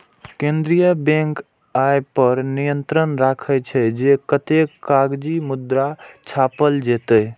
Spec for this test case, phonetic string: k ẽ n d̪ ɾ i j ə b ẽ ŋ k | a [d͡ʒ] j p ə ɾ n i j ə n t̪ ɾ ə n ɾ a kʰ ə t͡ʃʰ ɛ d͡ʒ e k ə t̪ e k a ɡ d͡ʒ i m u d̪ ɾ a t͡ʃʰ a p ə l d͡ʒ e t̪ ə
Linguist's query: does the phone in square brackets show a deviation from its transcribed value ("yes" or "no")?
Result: yes